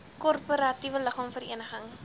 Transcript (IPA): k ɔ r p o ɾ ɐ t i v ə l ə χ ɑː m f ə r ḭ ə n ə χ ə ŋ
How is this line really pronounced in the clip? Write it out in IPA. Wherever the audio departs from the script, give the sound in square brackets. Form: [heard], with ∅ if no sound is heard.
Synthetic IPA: k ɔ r p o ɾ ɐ t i v ə l ə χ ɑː m f ə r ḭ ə n ə χ ə ŋ

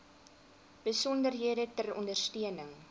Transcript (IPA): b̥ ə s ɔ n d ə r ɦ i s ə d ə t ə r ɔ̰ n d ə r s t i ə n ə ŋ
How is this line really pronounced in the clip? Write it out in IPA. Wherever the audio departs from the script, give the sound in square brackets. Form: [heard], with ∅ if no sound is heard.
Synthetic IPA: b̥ ə s ɔ n d ə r ɦ i [∅] ə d ə t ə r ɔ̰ n d ə r s t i ə n ə ŋ

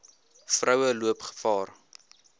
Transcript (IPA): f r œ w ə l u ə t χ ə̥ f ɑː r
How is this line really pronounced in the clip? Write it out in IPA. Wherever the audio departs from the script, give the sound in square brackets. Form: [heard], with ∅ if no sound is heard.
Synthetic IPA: f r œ w ə l u ə [p] χ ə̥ f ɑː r

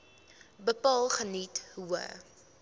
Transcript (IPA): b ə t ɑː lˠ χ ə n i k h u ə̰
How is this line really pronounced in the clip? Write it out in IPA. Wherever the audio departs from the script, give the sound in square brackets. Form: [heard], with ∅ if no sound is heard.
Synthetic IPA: b ə [p] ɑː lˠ χ ə n i [t] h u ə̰

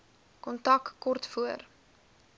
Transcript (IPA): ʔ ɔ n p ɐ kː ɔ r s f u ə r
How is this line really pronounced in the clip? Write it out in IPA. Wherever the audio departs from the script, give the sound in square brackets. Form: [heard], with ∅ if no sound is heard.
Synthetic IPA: [k] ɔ n [t] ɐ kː ɔ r [t] f u ə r

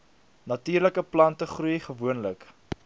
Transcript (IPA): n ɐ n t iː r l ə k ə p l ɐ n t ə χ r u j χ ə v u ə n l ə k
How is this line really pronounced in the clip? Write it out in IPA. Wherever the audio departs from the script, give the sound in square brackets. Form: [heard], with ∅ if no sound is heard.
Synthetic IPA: n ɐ [∅] t iː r l ə k ə p l ɐ n t ə χ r u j χ ə v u ə n l ə k

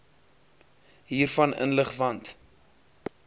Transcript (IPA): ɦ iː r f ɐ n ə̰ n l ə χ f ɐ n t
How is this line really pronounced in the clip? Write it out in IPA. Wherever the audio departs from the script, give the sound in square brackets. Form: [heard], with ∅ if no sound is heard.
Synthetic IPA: ɦ iː r f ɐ n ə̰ n l ə χ [v] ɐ n t

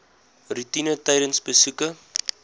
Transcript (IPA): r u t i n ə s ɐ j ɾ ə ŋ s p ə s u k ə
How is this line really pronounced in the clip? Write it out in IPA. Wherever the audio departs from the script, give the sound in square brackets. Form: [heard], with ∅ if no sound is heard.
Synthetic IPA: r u t i n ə [t] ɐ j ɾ ə [n] s [b] ə s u k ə

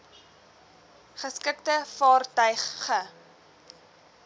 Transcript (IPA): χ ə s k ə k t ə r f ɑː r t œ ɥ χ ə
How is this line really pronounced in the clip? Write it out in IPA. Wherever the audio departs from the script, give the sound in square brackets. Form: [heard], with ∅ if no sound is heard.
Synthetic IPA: χ ə s k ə k t ə [∅] f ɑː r t œ ɥ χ ə

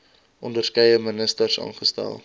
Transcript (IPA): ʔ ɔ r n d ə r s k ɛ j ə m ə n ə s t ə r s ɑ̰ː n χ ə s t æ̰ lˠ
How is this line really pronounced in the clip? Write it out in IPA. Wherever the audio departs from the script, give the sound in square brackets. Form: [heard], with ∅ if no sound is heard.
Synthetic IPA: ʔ ɔ [∅] n d ə r s k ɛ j ə m ə n ə s t ə r s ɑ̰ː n χ ə s t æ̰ lˠ

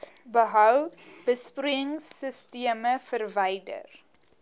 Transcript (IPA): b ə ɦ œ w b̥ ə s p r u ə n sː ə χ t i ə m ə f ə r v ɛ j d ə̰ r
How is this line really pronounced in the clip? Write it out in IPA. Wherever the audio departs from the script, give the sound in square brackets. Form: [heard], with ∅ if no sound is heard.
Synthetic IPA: b ə ɦ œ w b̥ ə s p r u ə [ŋ] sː ə [s] t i ə m ə f ə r v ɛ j d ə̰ r

